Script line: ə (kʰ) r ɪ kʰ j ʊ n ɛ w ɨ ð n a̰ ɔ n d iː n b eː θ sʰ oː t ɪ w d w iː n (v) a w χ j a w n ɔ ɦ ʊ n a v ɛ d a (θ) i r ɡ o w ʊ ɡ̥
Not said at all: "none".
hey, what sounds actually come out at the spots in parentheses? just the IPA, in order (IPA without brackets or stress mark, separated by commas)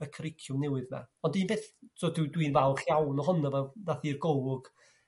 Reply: kʰ, v, θ